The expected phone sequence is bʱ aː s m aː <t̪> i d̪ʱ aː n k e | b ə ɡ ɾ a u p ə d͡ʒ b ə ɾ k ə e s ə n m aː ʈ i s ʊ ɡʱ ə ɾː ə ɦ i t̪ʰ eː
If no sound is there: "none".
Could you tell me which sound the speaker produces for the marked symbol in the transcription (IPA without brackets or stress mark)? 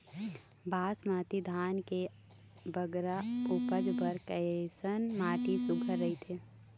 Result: t̪